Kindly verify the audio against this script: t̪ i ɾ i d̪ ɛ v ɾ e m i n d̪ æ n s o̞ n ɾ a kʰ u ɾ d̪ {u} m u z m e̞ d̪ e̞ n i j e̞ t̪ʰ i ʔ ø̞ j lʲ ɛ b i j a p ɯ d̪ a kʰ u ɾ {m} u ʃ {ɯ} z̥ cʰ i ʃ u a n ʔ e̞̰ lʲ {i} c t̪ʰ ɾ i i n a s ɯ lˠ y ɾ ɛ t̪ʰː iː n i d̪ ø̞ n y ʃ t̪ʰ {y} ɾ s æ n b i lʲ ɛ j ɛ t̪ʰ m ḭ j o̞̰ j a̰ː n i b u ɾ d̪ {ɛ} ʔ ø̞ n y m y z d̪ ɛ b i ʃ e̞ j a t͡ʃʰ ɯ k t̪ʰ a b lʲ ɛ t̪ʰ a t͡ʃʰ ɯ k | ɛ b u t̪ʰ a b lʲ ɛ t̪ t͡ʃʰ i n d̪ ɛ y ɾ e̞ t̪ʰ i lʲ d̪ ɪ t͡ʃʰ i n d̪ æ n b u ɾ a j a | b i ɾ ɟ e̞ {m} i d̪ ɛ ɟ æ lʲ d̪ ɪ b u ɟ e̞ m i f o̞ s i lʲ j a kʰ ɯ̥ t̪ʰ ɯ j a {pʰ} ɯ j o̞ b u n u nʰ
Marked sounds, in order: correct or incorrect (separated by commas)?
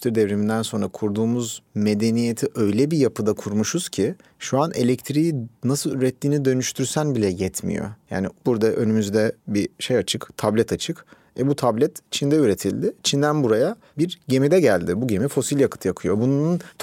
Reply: incorrect, correct, incorrect, incorrect, correct, incorrect, correct, incorrect